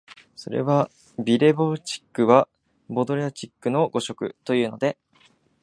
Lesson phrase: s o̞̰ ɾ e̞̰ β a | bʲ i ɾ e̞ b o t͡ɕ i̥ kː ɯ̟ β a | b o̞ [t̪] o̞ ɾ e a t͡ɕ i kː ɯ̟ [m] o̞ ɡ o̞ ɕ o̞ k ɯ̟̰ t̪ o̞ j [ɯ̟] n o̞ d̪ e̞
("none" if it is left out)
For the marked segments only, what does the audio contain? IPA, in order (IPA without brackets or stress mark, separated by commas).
d̪, n, ɯ̟ː